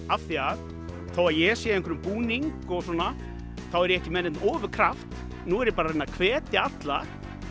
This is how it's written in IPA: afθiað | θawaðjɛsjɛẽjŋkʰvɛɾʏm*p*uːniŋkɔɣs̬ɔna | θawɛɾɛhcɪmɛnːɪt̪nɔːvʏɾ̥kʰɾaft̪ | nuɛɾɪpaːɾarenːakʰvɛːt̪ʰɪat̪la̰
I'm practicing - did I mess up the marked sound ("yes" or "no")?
no